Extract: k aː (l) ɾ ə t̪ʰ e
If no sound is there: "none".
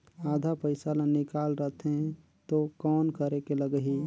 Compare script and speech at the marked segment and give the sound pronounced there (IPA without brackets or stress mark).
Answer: l